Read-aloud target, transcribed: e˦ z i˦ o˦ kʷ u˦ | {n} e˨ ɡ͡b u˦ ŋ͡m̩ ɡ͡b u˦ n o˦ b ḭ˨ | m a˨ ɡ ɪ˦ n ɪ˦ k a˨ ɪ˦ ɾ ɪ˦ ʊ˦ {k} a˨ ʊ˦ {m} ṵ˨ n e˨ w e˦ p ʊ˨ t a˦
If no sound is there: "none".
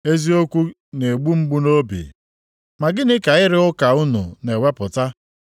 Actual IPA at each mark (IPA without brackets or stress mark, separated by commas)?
n, k, n